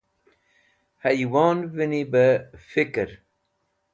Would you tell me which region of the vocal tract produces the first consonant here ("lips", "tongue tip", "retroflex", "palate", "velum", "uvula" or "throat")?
throat